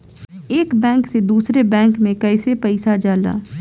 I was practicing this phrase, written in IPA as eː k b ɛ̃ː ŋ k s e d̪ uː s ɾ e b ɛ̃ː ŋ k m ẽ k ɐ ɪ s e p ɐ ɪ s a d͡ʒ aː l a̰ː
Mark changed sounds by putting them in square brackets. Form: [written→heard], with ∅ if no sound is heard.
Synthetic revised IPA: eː k b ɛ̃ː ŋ k s e d̪ uː s ɾ e b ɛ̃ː ŋ k m ẽ k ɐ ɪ s e p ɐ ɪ s a d͡ʒ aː l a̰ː